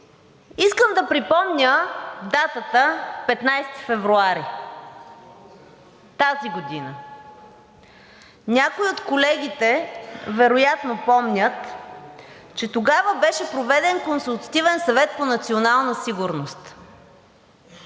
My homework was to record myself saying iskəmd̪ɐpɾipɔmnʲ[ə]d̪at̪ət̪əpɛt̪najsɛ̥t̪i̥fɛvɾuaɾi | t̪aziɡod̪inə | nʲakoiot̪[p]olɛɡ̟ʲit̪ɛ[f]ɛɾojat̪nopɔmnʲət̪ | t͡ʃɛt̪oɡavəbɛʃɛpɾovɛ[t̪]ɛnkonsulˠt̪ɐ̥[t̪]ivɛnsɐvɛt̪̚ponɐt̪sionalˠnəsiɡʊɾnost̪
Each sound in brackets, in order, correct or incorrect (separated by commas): correct, incorrect, incorrect, incorrect, correct